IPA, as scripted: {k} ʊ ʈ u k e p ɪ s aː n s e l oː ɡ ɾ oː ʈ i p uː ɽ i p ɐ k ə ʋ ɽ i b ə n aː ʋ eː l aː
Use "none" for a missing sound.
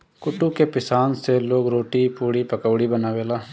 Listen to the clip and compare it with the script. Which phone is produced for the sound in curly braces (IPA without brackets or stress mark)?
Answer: k